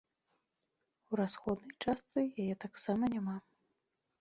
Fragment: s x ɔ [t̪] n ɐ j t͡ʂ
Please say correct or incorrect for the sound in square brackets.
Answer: incorrect